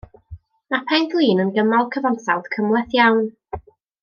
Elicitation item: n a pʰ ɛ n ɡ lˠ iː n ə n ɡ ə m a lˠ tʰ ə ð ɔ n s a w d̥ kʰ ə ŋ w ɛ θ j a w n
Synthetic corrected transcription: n a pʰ ɛ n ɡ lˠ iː n ə n ɡ ə m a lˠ kʰ ə v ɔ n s a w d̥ kʰ ə m w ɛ θ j a w n